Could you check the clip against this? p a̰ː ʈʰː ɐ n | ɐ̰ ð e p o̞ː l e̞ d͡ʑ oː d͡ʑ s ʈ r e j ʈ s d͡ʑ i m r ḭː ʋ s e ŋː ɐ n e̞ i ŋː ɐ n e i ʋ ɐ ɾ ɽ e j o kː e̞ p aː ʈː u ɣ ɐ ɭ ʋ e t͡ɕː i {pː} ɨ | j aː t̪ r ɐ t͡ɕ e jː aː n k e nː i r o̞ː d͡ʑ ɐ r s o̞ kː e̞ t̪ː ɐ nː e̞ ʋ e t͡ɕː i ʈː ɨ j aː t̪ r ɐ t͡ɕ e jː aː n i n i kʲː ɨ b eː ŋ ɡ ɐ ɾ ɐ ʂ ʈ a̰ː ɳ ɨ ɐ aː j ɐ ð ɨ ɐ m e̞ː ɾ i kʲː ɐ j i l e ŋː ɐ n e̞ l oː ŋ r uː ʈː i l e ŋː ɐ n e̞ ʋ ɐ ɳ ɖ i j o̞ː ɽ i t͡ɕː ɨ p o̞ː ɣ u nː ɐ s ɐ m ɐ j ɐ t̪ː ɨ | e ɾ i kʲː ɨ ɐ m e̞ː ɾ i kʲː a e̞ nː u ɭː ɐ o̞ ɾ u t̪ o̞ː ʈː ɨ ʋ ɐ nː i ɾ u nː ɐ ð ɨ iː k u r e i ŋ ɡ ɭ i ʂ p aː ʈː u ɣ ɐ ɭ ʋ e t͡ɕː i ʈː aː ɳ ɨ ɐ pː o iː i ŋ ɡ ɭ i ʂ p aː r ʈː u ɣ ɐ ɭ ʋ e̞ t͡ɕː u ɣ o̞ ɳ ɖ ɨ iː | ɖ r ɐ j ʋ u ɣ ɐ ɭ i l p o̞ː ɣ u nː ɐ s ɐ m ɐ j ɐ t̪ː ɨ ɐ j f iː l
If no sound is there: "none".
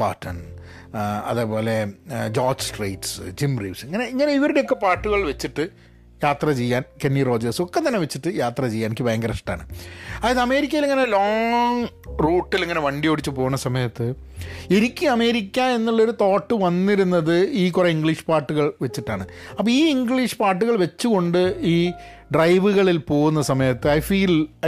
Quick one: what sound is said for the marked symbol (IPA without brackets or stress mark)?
ʈː